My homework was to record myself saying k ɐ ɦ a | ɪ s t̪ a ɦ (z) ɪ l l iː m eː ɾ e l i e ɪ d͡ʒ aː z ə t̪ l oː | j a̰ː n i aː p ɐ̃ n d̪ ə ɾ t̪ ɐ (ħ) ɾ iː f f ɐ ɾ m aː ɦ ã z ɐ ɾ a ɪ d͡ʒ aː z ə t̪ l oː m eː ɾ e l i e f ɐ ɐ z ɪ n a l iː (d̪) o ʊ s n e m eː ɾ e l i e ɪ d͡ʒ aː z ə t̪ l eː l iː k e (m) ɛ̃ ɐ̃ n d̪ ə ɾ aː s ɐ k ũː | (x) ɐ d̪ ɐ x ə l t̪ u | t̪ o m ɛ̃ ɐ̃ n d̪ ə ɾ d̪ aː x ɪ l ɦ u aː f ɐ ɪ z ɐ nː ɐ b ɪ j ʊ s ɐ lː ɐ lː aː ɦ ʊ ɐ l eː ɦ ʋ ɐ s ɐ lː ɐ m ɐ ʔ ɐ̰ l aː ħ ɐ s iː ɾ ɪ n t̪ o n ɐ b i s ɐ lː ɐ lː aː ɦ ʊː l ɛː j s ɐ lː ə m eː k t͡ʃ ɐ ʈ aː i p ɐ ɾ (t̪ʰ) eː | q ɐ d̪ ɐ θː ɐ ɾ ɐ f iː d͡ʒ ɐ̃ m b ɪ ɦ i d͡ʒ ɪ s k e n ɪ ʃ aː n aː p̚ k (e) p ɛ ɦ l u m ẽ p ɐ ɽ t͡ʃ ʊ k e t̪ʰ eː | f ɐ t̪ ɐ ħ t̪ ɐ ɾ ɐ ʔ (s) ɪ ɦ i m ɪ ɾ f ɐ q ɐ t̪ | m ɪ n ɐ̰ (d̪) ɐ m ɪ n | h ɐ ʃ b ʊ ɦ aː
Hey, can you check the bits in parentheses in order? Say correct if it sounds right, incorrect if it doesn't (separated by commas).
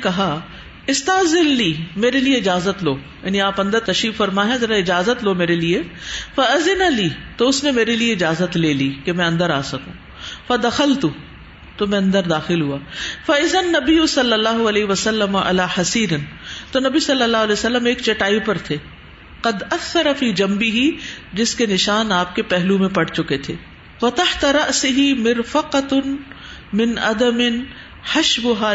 correct, incorrect, incorrect, correct, incorrect, correct, correct, correct, correct